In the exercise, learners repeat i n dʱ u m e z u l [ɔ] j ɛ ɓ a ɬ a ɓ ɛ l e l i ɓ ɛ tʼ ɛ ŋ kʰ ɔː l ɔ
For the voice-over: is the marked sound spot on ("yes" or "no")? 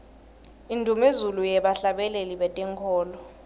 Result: no